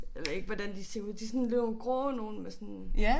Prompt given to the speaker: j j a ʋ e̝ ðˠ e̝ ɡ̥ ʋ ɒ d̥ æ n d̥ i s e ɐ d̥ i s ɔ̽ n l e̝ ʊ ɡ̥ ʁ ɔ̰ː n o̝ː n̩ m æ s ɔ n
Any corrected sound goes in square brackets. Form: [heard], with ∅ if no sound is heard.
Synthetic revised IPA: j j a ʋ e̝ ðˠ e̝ ɡ̥ ʋ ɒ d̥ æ n d̥ i s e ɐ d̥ i s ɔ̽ n l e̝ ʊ ɡ̥ ʁ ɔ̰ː n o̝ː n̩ m [e] s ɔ n